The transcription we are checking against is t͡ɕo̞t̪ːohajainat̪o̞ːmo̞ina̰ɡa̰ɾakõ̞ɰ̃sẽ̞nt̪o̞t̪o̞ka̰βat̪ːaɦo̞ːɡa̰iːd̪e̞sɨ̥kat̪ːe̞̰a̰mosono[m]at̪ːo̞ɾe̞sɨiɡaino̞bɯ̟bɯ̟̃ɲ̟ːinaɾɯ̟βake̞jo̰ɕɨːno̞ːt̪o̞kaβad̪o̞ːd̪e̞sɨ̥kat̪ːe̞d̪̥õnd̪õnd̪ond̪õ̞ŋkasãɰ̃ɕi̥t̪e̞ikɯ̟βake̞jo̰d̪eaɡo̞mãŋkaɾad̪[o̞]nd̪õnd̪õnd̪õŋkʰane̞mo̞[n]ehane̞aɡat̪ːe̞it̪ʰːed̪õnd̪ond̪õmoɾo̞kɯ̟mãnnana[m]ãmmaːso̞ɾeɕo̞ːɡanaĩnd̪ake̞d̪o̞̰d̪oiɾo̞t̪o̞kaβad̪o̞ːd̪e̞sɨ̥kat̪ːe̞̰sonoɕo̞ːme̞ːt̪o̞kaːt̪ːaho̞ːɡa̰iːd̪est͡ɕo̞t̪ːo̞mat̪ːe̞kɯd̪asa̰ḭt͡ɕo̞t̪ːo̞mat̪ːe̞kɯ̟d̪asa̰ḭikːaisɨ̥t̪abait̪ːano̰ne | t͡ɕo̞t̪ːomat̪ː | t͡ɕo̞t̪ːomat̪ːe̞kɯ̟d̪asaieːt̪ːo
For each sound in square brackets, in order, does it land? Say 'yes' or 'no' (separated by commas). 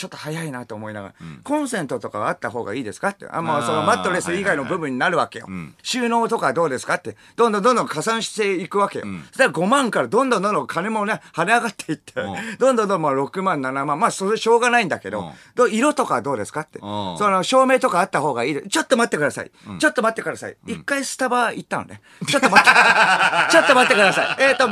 yes, no, yes, yes